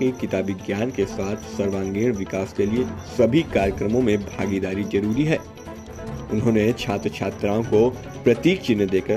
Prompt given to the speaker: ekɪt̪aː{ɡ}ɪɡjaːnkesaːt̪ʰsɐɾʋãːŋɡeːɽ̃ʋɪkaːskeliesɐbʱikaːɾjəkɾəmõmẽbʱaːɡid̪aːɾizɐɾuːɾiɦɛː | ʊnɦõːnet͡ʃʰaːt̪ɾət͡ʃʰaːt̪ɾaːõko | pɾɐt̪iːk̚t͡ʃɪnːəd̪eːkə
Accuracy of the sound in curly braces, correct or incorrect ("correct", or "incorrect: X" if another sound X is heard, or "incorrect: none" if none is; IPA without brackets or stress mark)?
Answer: incorrect: b